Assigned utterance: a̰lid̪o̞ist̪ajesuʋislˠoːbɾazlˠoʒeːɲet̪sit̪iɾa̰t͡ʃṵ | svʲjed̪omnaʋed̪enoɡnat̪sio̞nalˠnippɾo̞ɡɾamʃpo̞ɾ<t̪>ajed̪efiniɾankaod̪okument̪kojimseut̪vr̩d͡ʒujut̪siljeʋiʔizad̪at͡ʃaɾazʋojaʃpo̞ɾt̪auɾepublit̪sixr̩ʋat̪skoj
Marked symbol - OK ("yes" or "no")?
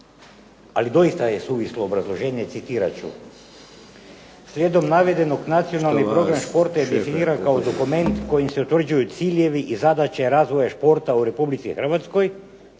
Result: yes